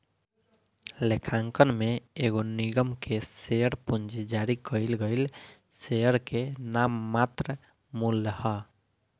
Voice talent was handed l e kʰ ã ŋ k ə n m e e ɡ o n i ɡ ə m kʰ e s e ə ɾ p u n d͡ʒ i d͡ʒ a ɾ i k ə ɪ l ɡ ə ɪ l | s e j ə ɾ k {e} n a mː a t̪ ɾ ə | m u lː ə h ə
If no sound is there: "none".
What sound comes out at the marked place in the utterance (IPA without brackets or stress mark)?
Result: e